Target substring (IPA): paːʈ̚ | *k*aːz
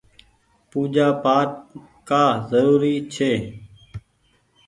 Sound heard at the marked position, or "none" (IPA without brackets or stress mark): k